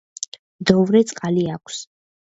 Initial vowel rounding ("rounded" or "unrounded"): rounded